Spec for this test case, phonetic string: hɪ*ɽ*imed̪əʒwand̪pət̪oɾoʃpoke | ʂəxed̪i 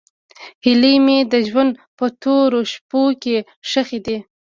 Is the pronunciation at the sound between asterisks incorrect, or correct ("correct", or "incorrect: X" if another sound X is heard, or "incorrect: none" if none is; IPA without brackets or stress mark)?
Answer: incorrect: l